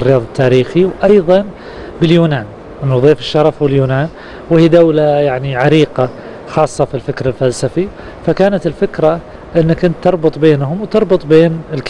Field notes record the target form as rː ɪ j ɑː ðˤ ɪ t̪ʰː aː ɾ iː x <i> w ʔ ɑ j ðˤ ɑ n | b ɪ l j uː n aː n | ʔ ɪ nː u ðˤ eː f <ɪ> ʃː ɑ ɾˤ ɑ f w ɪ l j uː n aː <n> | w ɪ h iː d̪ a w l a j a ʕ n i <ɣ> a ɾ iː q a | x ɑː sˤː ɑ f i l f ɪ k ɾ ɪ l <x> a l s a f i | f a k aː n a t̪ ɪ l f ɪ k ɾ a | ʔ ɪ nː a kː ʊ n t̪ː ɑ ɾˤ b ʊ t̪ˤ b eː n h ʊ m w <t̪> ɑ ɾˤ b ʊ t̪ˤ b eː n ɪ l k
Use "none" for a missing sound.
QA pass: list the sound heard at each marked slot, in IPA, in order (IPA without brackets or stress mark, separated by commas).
i, ɪ, n, ʕ, f, t̪